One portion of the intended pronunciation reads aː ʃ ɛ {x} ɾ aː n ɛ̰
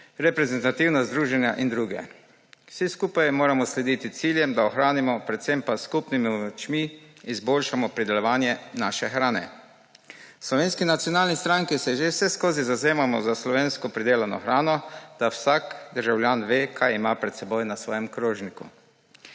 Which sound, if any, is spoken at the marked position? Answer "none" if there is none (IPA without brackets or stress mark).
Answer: x